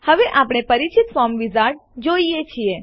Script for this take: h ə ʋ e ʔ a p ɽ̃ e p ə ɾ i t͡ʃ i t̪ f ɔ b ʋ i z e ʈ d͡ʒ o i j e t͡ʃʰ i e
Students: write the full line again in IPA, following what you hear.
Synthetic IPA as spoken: h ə ʋ e ʔ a p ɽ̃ e p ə ɾ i t͡ʃ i t̪ f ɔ m ʋ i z a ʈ d͡ʒ o i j e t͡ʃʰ i e